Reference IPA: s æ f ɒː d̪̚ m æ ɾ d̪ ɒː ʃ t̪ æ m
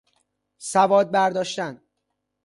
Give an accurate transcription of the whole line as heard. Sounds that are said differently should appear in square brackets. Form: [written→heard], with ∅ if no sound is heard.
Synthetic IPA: s æ [f→v] ɒː d̪̚ [m→b] æ ɾ d̪ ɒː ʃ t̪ æ [m→n]